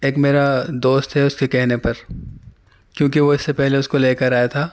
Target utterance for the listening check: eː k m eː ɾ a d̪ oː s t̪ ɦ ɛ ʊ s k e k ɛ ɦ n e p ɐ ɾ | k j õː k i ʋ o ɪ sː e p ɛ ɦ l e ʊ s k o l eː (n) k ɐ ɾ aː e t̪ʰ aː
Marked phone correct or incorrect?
incorrect